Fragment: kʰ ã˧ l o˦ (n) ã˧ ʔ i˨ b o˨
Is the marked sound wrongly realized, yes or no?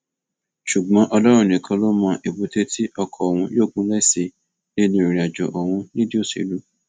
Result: yes